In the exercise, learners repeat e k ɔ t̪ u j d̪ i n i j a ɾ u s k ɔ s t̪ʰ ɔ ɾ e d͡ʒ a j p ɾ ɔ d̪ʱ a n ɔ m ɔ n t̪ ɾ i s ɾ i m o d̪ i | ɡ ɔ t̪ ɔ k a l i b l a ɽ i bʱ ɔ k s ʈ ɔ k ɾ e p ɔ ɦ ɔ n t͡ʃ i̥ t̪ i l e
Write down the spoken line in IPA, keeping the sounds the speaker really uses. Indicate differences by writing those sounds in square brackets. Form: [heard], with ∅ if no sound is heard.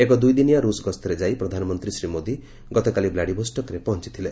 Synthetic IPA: e k ɔ [d̪] u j d̪ i n i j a ɾ u s [ɡ] ɔ s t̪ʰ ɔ ɾ e d͡ʒ a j p ɾ ɔ d̪ʱ a n ɔ m ɔ n t̪ ɾ i s ɾ i m o d̪ i | ɡ ɔ t̪ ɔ k a l i b l a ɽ i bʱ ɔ [∅] s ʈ ɔ k ɾ e p ɔ ɦ ɔ n t͡ʃ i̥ [t̪ʰ] i l e